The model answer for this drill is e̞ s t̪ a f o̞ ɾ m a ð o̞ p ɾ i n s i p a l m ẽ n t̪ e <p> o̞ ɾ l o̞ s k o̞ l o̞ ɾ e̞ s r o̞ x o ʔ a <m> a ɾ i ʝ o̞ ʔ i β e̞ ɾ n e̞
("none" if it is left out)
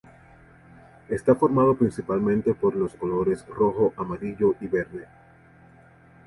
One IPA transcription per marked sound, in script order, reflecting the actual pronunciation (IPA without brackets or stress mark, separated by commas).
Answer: p, m